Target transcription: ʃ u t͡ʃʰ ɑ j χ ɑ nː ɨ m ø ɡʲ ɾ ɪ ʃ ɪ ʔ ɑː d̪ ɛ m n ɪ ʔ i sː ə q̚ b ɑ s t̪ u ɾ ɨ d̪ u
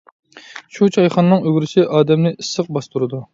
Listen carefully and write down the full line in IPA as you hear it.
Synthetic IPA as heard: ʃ u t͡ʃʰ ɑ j χ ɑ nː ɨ ŋ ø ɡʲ ɾ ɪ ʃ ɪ ʔ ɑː d̪ ɛ m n ɪ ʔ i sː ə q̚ b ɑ s t̪ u ɾ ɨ d̪ u